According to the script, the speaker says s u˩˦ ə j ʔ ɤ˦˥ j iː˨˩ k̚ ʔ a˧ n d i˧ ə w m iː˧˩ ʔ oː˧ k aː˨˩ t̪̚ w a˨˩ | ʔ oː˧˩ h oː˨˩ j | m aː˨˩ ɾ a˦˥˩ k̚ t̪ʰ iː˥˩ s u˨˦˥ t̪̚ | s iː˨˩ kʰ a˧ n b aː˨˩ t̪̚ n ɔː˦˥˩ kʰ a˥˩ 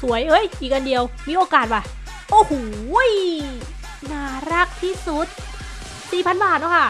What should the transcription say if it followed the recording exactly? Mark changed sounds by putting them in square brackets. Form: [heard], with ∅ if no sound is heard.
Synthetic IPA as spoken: s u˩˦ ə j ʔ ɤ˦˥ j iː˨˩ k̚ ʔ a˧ n d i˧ ə w m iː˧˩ ʔ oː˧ k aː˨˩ t̪̚ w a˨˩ | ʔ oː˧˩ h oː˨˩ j | [n] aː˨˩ ɾ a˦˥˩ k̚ t̪ʰ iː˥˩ s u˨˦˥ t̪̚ | s iː˨˩ [pʰ] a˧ n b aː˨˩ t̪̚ n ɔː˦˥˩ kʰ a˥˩